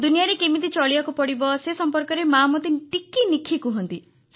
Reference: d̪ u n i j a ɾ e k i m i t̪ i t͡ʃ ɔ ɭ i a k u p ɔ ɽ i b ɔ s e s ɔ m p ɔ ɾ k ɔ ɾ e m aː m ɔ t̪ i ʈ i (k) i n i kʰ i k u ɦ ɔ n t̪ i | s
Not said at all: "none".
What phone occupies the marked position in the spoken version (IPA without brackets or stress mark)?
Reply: k